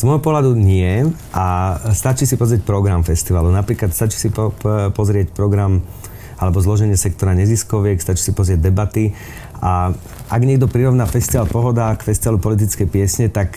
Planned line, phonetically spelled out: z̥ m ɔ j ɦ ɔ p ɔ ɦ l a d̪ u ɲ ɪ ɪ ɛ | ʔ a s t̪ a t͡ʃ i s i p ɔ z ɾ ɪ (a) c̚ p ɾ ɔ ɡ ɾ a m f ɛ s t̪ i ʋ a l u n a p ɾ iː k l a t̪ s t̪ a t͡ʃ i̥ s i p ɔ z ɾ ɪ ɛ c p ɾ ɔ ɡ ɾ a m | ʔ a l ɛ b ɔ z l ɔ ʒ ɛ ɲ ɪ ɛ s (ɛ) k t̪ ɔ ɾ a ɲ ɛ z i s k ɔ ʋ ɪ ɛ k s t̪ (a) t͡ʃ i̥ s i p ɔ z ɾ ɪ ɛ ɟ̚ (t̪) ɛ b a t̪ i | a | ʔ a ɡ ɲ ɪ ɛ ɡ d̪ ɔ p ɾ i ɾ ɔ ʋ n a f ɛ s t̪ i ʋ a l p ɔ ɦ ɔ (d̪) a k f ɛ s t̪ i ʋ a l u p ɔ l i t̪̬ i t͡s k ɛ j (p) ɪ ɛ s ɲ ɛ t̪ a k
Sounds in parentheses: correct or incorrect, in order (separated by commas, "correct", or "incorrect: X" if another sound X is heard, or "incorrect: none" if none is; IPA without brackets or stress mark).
incorrect: ɛ, correct, correct, incorrect: d̪, correct, correct